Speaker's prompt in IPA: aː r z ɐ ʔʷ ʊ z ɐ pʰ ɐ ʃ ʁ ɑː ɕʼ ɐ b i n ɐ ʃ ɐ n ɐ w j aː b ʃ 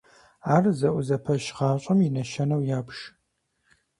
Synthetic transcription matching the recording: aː r z ɐ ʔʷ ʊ z ɐ pʰ ɐ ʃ ʁ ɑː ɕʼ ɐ m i n ɐ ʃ ɐ n ɐ w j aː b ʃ